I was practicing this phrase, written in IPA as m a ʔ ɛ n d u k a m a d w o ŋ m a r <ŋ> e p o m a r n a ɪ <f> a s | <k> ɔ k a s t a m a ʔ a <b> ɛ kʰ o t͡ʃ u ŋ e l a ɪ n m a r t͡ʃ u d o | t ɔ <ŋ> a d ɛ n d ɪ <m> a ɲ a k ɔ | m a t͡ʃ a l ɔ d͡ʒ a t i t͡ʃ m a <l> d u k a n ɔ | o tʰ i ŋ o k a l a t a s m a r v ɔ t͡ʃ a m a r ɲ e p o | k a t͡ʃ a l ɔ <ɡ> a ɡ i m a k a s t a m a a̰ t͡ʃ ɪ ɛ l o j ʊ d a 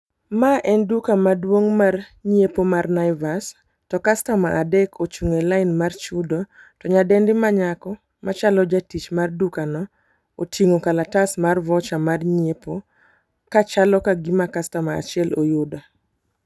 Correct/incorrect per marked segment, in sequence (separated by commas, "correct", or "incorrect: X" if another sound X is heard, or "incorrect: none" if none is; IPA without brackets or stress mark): incorrect: ɲ, incorrect: v, incorrect: t, incorrect: d, incorrect: ɲ, correct, incorrect: r, incorrect: k